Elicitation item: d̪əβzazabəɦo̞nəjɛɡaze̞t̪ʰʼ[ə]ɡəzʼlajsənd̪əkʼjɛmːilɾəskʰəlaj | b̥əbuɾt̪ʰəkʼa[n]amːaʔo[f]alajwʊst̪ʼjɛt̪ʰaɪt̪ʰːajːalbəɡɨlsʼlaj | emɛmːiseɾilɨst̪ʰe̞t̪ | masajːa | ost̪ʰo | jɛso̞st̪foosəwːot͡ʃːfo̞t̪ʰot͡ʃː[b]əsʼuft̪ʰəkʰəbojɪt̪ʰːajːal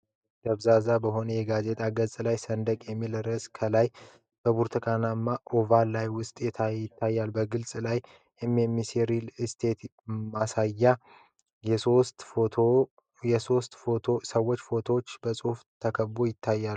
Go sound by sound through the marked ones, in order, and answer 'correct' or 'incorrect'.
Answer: incorrect, correct, incorrect, correct

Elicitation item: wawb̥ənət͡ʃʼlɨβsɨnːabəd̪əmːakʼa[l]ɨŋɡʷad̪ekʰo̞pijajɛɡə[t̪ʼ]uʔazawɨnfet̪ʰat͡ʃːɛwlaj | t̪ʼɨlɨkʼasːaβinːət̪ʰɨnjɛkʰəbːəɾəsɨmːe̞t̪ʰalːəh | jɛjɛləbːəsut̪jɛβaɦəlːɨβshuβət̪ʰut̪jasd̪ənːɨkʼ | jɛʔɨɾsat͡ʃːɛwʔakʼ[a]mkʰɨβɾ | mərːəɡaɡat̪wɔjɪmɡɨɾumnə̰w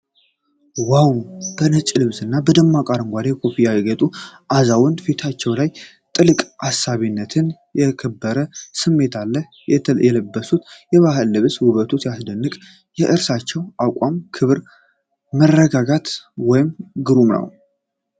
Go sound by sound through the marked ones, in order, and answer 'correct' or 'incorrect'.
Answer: incorrect, correct, correct

